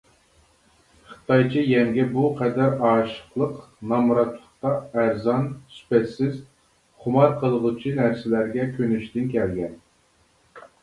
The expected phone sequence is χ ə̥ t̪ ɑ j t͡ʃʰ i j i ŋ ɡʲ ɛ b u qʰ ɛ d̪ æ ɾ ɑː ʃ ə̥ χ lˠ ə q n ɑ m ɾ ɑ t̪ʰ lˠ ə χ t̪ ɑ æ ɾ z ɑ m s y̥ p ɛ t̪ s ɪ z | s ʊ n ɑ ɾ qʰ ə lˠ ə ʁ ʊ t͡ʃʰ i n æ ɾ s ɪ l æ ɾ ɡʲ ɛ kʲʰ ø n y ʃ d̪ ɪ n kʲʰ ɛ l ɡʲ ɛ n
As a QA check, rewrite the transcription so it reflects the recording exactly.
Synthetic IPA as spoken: χ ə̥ t̪ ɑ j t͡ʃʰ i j ɛ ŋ ɡʲ ɛ b u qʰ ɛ d̪ æ ɾ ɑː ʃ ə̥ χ lˠ ə q n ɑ m ɾ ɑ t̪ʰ lˠ ə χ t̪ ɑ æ ɾ z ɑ n s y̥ p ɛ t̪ s ɪ z | χ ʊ m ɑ ɾ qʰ ə lˠ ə ʁ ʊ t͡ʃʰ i n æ ɾ s ɪ l æ ɾ ɡʲ ɛ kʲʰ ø n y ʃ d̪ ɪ n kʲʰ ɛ l ɡʲ ɛ n